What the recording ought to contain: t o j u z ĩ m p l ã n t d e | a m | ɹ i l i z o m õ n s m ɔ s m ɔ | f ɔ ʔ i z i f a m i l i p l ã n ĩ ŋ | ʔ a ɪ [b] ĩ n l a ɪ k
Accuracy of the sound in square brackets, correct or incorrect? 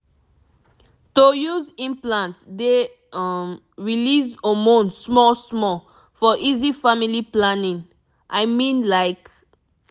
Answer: incorrect